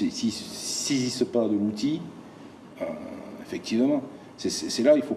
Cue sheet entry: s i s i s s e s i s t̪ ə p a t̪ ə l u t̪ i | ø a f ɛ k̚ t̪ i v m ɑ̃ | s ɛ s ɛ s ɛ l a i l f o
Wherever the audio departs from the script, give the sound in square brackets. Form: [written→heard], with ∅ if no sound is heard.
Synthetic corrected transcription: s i s i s s e [s→z] i s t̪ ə p a [t̪→d̪] ə l u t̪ i | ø [a→e] f ɛ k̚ t̪ i v m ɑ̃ | s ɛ s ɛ s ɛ l a i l f o